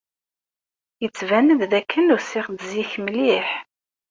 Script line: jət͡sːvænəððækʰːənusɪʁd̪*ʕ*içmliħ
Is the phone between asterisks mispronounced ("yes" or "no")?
yes